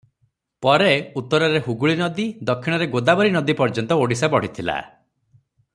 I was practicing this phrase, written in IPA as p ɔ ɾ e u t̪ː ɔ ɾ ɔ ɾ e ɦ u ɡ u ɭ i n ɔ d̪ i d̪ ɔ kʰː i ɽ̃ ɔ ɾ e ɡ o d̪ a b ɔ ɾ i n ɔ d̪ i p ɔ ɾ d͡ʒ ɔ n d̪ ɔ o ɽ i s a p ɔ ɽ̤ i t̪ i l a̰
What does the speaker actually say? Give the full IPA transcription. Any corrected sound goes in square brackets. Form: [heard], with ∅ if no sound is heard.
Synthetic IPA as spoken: p ɔ ɾ e u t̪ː ɔ ɾ ɔ ɾ e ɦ u ɡ u ɭ i n ɔ d̪ i d̪ ɔ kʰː i ɽ̃ ɔ ɾ e ɡ o d̪ a b ɔ ɾ i n ɔ d̪ i p ɔ ɾ d͡ʒ ɔ n [t̪] ɔ o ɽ i s a [b] ɔ ɽ̤ i [t̪ʰ] i l a̰